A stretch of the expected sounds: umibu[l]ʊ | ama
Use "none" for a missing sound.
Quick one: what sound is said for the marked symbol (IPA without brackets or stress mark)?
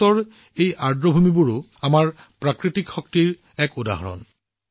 ɹ